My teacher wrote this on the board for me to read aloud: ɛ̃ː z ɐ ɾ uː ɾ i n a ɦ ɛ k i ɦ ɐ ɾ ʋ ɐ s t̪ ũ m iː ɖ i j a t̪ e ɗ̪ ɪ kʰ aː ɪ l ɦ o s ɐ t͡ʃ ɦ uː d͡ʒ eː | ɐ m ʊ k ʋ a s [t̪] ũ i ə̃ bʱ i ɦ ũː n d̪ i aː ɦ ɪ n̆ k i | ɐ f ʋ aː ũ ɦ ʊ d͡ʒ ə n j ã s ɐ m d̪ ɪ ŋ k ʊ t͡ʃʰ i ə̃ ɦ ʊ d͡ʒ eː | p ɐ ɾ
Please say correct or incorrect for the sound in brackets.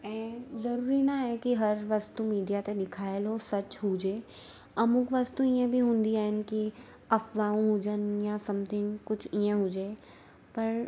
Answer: correct